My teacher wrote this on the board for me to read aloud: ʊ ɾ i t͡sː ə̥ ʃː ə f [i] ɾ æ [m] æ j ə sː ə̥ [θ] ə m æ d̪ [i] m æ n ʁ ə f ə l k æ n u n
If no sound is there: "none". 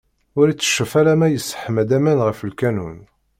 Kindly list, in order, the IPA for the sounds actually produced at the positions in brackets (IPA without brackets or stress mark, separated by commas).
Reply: æ, m, ħ, æ